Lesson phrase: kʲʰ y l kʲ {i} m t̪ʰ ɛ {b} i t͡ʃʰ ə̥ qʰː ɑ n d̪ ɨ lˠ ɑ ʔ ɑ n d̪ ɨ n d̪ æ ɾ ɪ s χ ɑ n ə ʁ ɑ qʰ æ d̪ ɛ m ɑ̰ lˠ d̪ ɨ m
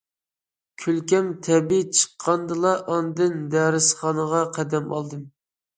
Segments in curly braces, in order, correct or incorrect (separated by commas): incorrect, correct